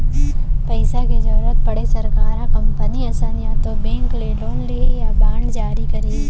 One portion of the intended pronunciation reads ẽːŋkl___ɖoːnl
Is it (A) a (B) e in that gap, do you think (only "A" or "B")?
B